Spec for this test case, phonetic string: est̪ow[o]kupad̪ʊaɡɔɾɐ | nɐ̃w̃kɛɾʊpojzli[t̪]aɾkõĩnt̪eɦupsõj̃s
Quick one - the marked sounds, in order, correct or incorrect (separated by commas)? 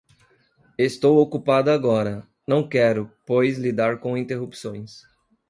correct, incorrect